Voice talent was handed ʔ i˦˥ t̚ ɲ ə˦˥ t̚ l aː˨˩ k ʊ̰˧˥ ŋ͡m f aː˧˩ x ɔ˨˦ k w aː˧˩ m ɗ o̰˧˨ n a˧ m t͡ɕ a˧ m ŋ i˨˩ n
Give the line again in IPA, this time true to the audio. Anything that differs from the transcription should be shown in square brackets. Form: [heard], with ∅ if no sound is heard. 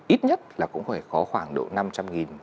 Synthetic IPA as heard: ʔ i˦˥ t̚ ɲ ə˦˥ t̚ l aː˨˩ k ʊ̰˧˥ ŋ͡m f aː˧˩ x ɔ˨˦ [x] w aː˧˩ [ŋ] ɗ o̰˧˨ n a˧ m t͡ɕ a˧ m ŋ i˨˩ n